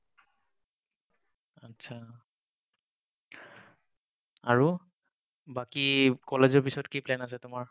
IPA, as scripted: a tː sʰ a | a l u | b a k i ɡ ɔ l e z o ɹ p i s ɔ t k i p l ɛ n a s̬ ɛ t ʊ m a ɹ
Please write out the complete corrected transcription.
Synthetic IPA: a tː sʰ a | a ɹ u | b a k i k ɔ l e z ɔ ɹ p i s ɔ t k i p l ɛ n a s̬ ɛ t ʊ m a ɹ